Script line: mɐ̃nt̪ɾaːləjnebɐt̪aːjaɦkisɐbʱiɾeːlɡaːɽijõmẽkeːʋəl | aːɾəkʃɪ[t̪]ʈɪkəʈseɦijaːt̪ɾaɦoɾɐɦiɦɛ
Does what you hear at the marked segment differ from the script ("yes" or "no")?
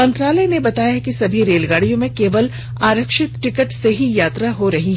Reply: no